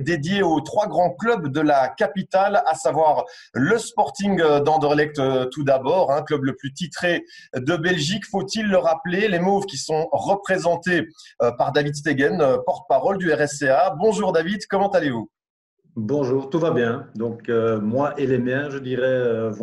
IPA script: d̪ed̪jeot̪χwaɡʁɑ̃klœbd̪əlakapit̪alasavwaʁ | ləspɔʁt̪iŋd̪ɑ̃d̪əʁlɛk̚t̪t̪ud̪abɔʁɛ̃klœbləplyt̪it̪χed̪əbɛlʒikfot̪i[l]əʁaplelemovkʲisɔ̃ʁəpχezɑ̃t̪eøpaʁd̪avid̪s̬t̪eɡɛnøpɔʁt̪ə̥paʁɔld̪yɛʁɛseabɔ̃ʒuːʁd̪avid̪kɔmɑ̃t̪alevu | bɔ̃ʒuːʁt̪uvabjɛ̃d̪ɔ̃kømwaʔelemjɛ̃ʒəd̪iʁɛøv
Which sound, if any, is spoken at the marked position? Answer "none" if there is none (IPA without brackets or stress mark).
lː